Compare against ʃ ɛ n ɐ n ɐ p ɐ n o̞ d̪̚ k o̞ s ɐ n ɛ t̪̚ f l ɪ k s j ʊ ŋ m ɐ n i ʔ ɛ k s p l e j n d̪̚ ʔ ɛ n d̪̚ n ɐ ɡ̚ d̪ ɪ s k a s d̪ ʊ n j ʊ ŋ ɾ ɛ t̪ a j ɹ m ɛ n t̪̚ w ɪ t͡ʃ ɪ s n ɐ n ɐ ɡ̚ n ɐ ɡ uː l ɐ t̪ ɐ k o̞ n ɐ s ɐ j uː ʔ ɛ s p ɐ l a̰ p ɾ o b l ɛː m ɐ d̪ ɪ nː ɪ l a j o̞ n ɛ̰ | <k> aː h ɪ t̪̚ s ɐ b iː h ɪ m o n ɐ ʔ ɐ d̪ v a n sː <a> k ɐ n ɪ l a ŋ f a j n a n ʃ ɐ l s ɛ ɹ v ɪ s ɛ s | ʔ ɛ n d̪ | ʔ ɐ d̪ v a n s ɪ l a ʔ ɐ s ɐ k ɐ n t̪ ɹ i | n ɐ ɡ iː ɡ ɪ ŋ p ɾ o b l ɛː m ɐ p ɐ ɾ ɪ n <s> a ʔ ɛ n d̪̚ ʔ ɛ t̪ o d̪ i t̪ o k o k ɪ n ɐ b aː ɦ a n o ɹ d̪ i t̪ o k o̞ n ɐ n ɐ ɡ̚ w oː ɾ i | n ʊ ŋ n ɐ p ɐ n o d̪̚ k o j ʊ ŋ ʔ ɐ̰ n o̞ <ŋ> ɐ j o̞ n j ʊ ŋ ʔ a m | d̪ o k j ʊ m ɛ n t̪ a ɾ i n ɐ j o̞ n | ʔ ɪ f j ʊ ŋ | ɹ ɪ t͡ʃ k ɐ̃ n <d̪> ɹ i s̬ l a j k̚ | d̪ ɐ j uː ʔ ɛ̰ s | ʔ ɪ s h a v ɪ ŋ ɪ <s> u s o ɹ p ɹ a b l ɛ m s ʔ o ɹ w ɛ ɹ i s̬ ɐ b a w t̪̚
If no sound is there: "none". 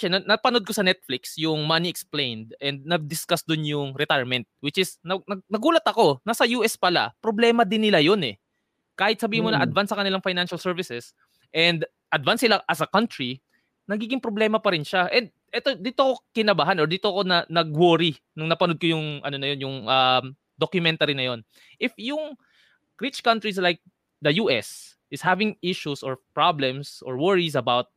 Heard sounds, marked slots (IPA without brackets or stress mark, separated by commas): k, ɐ, ʃ, n, t̪, ʃ